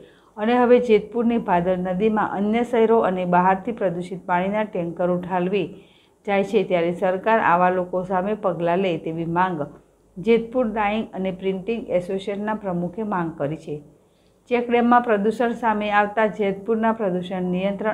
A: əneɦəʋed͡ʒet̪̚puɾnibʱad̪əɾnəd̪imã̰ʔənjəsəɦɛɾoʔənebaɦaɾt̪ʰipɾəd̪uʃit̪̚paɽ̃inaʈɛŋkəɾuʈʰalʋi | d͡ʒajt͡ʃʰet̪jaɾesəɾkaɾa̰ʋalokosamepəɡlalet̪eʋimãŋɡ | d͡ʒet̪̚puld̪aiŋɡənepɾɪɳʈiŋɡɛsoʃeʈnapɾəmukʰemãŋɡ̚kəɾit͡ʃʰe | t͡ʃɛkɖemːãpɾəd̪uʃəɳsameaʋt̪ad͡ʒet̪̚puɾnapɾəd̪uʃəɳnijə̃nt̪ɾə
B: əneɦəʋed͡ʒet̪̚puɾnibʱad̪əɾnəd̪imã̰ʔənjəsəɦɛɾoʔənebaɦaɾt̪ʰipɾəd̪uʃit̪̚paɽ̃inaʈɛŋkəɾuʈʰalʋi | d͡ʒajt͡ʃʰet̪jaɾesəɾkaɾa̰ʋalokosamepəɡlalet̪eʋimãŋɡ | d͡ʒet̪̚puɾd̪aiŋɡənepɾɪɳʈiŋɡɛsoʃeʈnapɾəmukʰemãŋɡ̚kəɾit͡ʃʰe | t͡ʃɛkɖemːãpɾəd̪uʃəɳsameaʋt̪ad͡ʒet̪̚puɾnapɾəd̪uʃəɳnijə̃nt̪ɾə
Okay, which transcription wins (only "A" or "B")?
B